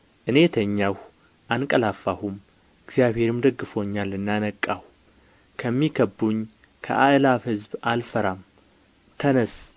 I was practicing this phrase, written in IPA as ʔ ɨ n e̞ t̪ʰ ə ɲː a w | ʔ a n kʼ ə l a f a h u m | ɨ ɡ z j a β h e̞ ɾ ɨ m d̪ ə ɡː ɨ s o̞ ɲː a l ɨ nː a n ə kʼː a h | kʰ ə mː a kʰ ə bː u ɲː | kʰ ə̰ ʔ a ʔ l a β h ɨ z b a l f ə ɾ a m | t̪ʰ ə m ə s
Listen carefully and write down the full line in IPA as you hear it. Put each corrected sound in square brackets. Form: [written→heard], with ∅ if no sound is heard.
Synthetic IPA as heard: ʔ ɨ n e̞ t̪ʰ ə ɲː a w | ʔ a n kʼ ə l a f a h u m | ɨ ɡ z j a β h e̞ ɾ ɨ m d̪ ə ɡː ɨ [s→f] o̞ ɲː a l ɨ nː a n ə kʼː a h | kʰ ə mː [a→i] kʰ ə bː u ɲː | kʰ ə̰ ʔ a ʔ l a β h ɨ z b a l f ə ɾ a m | t̪ʰ ə [m→n] ə s